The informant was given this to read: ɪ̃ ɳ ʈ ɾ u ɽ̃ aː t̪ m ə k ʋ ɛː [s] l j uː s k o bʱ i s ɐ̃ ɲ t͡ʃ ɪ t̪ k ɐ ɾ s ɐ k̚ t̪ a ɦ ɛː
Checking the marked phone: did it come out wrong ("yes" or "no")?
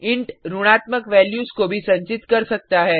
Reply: yes